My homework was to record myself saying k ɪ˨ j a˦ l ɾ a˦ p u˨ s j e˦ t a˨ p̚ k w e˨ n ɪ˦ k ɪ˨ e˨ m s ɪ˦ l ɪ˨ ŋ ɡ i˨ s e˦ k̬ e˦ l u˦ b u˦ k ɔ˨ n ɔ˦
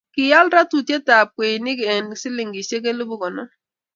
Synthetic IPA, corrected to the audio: k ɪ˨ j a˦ l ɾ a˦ t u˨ t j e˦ t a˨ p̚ k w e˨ n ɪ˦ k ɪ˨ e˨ n s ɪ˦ l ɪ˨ ŋ ɡ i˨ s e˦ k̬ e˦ l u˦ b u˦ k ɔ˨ n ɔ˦